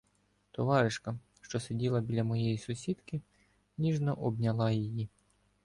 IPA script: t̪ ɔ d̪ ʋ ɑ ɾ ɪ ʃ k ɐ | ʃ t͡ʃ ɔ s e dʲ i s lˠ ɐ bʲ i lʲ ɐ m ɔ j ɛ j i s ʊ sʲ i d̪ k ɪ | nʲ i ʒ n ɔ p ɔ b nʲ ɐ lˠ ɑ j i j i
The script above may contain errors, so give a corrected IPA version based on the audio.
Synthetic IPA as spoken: t̪ ɔ ʋ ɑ ɾ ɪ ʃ k ɐ | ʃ t͡ʃ ɔ s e dʲ i lˠ ɐ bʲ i lʲ ɐ m ɔ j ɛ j i s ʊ sʲ i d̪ k ɪ | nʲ i ʒ n ɔ ʔ ɔ b nʲ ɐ lˠ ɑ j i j i